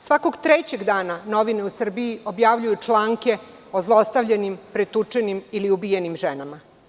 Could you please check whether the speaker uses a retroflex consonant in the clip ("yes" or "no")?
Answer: yes